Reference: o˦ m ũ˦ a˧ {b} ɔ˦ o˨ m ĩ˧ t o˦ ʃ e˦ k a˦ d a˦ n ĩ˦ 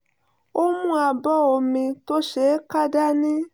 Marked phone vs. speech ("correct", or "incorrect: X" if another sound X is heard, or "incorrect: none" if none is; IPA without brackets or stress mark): correct